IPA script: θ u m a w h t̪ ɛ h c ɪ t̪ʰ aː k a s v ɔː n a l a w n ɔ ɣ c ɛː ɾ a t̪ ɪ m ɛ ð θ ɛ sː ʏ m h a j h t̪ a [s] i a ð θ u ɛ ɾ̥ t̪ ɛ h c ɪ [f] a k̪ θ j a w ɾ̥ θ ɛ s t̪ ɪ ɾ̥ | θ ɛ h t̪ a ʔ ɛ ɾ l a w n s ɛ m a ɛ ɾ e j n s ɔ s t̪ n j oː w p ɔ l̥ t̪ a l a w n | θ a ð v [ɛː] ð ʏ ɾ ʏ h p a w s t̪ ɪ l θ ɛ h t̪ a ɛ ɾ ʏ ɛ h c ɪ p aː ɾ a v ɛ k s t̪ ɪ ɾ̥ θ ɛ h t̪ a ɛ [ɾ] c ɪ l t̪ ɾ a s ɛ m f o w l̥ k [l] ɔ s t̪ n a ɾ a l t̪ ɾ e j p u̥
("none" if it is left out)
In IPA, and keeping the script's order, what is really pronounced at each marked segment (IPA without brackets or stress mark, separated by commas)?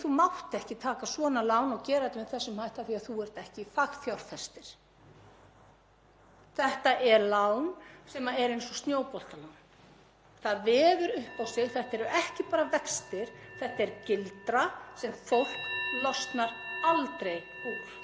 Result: θ, f, ɛː, ɾ, l